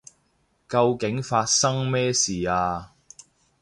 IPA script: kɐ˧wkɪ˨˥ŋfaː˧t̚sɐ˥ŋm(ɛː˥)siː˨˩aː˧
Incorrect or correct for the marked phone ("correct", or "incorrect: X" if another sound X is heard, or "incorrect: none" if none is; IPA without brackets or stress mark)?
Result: correct